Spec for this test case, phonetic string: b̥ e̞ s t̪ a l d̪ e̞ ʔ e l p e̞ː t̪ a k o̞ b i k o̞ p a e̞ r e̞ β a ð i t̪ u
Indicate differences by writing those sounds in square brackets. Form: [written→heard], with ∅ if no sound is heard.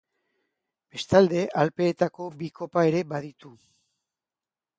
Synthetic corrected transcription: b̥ e̞ s t̪ a l d̪ e̞ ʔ [e→a] l p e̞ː t̪ a k o̞ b i k o̞ p a e̞ [r→ɾ] e̞ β a ð i t̪ u